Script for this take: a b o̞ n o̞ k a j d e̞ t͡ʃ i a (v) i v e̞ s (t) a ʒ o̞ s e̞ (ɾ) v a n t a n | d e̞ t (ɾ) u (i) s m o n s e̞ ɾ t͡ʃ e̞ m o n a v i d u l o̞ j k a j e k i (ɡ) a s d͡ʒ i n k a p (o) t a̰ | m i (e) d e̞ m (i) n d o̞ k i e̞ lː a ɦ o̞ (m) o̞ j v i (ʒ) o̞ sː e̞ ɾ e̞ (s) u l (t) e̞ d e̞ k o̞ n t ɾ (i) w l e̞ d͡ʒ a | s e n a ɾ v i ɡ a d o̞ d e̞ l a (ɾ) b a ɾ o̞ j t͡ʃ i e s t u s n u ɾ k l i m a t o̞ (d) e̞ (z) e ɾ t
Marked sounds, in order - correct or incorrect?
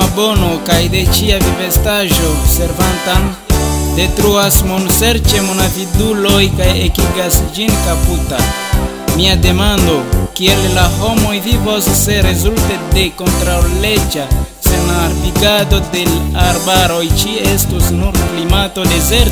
correct, correct, correct, correct, incorrect: a, correct, incorrect: u, incorrect: a, incorrect: a, correct, incorrect: v, incorrect: z, correct, incorrect: a, correct, correct, correct

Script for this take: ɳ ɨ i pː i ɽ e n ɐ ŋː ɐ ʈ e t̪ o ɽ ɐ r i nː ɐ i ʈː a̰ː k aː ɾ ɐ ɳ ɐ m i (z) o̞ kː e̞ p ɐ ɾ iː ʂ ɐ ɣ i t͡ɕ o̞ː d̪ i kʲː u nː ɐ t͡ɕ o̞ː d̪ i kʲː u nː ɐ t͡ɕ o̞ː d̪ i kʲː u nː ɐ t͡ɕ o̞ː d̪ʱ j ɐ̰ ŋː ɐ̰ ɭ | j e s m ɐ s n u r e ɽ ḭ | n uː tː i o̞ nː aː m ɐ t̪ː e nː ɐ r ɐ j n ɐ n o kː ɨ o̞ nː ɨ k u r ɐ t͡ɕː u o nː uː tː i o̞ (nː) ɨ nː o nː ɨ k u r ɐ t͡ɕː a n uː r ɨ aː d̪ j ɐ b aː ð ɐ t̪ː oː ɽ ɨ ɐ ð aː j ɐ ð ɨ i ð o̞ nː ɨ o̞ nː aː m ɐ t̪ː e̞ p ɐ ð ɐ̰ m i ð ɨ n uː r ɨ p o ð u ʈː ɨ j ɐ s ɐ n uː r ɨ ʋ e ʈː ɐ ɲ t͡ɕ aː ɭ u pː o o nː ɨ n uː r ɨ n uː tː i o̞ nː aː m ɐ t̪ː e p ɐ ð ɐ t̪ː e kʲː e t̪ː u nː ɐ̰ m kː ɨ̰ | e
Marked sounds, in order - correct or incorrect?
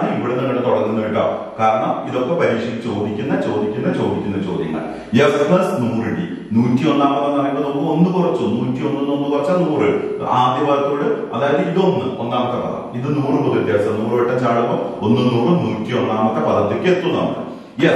incorrect: ð, correct

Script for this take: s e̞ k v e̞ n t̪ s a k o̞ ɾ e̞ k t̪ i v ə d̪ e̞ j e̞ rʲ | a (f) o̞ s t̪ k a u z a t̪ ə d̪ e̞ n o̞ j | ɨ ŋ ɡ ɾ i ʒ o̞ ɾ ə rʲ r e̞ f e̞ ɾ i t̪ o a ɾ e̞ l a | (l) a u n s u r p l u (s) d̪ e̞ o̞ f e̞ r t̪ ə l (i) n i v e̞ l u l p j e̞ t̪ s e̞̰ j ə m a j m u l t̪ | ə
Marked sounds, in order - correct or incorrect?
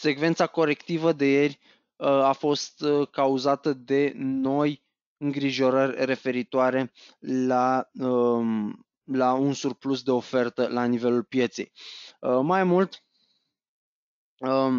correct, correct, correct, incorrect: a

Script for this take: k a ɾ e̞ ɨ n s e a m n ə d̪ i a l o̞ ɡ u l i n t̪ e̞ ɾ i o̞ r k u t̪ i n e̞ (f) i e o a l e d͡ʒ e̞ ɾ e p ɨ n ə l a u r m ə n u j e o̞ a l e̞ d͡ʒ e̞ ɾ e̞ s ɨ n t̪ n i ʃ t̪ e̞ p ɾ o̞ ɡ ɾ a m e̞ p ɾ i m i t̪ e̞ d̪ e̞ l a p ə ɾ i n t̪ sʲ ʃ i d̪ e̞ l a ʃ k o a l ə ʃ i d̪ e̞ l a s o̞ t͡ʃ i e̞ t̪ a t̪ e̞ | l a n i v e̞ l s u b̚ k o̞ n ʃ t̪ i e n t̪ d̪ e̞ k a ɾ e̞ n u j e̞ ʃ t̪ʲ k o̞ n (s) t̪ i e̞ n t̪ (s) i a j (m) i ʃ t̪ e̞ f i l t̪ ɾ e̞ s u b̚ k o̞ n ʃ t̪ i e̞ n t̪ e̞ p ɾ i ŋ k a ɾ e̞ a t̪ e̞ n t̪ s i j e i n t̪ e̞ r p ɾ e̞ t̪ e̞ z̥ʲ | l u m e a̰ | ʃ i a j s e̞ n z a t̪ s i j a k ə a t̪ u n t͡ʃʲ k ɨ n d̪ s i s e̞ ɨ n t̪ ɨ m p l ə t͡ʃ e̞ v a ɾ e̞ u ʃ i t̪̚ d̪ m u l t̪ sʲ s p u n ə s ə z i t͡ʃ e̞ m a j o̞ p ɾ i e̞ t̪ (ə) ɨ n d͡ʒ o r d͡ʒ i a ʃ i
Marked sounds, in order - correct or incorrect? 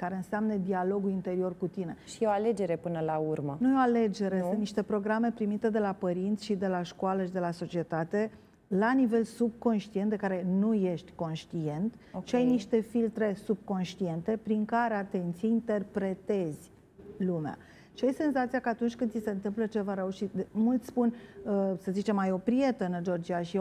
incorrect: ʃ, incorrect: ʃ, incorrect: ʃ, incorrect: n, correct

